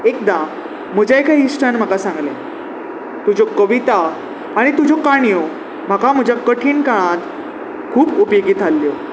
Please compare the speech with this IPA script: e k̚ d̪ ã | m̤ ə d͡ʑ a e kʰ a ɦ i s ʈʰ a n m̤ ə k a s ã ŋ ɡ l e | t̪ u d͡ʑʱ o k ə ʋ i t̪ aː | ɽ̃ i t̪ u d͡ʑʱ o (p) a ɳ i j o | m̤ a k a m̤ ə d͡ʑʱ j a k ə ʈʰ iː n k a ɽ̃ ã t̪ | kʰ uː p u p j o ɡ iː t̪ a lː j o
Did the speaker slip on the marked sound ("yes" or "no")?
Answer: yes